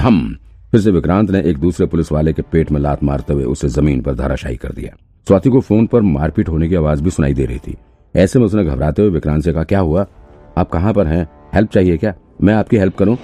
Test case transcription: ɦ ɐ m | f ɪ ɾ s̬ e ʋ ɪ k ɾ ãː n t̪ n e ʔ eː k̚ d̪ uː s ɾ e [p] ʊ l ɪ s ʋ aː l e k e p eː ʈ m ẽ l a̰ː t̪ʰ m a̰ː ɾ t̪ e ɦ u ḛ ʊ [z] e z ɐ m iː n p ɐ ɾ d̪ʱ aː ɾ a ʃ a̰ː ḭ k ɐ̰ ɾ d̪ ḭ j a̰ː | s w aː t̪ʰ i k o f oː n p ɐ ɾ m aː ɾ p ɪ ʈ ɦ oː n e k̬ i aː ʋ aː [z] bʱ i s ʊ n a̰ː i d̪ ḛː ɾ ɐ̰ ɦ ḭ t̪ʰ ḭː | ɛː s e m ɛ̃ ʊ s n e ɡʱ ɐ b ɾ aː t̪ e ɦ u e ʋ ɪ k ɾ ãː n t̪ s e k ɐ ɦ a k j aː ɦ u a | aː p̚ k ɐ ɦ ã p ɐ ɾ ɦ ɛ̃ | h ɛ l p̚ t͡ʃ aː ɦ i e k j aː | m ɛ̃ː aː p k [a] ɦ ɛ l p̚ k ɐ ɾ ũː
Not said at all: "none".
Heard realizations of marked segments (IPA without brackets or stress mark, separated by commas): p, s, z, i